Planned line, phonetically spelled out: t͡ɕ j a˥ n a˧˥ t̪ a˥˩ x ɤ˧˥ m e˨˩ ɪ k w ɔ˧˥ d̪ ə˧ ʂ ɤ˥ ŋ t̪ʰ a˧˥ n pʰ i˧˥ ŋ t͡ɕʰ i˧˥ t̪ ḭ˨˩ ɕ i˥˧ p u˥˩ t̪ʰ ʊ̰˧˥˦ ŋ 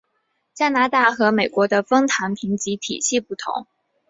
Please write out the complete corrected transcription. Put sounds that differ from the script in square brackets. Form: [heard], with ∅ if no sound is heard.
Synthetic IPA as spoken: t͡ɕ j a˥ n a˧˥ t̪ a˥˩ x ɤ˧˥ m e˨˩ ɪ k w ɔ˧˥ d̪ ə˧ [f] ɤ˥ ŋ t̪ʰ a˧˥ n pʰ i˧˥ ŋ [t͡ɕ] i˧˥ [t̪ʰ] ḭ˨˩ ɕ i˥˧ p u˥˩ t̪ʰ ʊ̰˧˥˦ ŋ